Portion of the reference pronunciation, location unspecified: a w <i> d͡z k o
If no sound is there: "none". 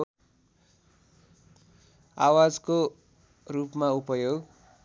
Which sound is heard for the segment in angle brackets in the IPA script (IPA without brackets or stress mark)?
a